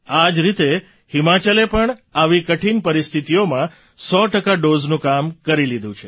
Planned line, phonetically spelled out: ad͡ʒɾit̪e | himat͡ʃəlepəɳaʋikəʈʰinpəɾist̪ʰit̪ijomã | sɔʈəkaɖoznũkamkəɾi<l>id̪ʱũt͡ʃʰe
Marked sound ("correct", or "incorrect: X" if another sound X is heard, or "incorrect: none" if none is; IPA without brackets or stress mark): correct